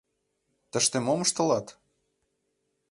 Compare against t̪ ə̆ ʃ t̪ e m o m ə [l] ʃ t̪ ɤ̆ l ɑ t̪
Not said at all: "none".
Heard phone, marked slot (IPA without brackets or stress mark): none